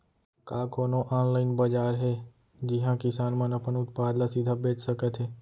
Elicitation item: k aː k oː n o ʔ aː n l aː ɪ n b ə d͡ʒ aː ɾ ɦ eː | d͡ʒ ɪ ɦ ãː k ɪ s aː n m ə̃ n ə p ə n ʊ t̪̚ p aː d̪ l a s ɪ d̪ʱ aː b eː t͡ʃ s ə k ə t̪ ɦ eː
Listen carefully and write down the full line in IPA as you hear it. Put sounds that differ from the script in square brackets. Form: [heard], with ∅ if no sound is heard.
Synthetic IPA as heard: k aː k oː n o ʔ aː n l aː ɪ n b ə d͡ʒ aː ɾ ɦ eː | d͡ʒ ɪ ɦ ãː k ɪ s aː n m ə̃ n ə p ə n ʊ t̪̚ p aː d̪ l a s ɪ d̪ʱ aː b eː t͡ʃ s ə k ə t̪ ɦ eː